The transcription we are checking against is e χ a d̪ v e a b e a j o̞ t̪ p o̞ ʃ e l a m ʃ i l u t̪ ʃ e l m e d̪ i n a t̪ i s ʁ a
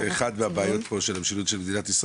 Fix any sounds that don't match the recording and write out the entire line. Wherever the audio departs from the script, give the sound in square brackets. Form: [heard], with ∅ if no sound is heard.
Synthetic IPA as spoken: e χ a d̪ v e a b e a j o̞ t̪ p o̞ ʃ e l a m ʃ i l u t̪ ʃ e l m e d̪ i n a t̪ i s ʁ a